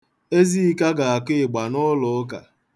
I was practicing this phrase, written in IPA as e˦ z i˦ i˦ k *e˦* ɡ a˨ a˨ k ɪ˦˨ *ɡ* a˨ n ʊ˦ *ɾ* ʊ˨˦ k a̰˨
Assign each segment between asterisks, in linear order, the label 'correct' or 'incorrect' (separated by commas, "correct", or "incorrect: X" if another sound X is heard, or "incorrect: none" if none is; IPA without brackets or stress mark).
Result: incorrect: a˦, incorrect: ɡ͡b, incorrect: l